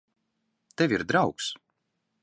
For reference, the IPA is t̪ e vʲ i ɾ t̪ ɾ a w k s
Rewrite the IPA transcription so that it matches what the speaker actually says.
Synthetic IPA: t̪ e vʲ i ɾ d̪ ɾ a w k s